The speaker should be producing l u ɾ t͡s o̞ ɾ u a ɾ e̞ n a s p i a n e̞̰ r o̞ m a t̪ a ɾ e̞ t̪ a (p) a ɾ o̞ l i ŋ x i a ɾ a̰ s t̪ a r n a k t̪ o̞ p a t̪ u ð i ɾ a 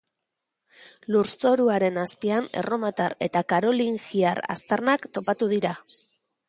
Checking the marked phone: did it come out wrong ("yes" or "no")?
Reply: yes